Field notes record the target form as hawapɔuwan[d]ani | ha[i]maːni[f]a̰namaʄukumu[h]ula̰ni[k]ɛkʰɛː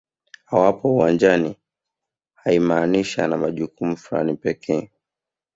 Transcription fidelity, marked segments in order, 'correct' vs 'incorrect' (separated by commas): incorrect, correct, incorrect, incorrect, incorrect